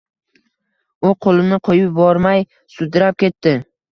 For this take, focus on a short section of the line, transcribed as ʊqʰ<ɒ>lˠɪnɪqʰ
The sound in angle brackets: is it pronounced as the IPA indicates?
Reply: no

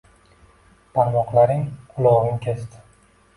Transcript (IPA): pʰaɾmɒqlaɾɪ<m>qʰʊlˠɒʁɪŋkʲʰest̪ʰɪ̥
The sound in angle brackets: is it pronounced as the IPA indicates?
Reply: no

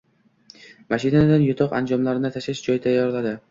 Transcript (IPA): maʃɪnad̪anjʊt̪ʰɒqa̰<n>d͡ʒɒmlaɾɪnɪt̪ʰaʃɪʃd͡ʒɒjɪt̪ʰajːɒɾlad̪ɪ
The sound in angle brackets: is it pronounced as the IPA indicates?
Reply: yes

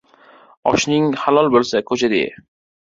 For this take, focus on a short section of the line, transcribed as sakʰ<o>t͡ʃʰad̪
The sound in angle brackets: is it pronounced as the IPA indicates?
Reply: yes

